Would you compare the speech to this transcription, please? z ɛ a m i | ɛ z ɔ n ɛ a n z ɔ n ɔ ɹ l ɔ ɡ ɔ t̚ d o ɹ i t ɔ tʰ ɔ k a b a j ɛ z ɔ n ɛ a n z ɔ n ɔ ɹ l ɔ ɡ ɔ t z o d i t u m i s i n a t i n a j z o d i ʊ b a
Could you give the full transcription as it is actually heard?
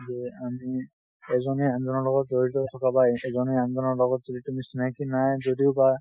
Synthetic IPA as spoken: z ɛ a m i | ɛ z ɔ n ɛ a n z ɔ n ɔ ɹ l ɔ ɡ ɔ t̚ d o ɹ i t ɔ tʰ ɔ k a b a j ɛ z ɔ n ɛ a n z ɔ n ɔ ɹ l ɔ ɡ ɔ t z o d i t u m i s i n a k i n a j z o d i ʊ b a